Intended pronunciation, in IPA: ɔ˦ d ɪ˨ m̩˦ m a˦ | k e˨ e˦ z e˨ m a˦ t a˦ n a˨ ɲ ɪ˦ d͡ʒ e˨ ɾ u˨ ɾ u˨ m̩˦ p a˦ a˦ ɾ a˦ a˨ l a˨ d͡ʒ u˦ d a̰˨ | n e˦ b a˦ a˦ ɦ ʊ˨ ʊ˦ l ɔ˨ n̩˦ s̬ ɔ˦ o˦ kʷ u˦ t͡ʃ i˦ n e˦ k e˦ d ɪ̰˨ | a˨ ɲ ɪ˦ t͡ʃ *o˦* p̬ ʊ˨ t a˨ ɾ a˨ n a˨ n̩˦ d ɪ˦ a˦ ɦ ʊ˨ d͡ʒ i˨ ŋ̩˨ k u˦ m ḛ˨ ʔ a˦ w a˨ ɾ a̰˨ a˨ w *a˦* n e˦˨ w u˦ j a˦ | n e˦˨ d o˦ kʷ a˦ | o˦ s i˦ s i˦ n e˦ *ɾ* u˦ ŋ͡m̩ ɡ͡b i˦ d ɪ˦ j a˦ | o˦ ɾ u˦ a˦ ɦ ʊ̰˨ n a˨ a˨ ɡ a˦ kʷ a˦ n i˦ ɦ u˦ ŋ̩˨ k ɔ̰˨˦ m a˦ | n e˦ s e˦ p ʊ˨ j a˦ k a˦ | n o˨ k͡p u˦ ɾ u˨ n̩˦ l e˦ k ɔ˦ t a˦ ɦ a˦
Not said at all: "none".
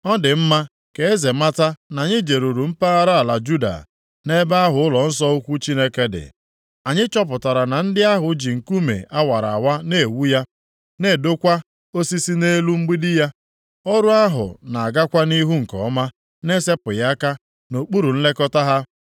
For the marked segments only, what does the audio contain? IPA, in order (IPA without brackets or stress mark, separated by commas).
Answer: ɔ˦, a˦, l